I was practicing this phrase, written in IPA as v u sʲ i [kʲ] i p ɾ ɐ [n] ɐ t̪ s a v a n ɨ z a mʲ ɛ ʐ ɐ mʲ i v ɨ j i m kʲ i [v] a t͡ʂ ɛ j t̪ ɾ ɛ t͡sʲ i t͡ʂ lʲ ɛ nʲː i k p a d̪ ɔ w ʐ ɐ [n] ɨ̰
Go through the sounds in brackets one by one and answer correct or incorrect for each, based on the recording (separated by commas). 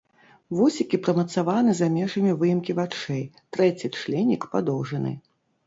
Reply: correct, incorrect, correct, correct